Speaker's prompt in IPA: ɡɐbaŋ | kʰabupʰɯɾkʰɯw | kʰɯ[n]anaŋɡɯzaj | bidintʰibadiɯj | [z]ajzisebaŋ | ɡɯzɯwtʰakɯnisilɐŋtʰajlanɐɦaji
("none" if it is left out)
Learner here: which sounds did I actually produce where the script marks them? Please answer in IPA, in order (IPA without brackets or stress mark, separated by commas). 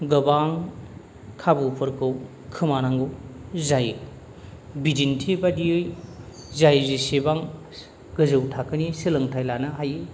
m, z